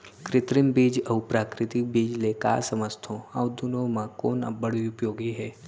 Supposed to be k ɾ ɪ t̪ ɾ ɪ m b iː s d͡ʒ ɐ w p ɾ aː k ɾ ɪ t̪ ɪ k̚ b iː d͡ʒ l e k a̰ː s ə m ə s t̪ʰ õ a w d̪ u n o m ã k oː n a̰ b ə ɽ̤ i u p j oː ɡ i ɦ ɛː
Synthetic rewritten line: k ɾ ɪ t̪ ɾ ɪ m b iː d͡ʒ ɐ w p ɾ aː k ɾ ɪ t̪ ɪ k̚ b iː d͡ʒ l e k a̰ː s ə m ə s t̪ʰ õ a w d̪ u n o m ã k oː n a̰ b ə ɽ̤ i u p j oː ɡ i ɦ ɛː